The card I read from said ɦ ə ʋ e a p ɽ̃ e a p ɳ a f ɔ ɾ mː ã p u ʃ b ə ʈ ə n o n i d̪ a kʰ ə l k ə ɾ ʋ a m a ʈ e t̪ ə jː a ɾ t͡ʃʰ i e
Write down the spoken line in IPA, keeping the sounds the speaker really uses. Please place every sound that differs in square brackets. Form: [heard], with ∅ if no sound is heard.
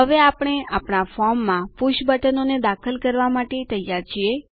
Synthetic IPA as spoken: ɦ ə ʋ e a p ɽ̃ e a p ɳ a f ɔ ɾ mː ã p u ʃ b ə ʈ ə n o n [e] d̪ a kʰ ə l k ə ɾ ʋ a m a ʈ e t̪ ə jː a ɾ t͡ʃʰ i e